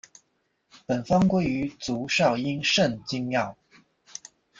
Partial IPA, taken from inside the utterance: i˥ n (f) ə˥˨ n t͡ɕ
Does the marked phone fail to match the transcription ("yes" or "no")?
yes